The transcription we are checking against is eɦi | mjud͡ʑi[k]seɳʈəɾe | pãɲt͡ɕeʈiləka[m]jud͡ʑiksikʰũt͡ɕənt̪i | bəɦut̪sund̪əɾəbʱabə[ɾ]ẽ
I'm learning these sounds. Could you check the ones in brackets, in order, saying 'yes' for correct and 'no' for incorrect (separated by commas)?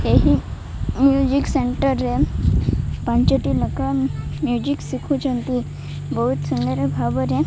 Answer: yes, yes, yes